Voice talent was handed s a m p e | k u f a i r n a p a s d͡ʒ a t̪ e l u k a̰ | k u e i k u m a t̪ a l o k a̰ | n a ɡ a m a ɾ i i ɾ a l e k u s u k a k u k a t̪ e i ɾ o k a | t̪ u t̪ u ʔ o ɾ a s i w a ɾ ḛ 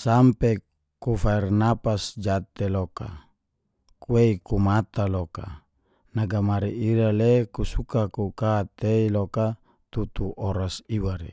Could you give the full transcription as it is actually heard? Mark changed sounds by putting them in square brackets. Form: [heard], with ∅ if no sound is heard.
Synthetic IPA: s a m p e | k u f a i r n a p a s d͡ʒ a t̪ e l [o] k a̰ | k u e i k u m a t̪ a l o k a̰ | n a ɡ a m a ɾ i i ɾ a l e k u s u k a k u k a t̪ e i [l] o k a | t̪ u t̪ u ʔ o ɾ a s i w a ɾ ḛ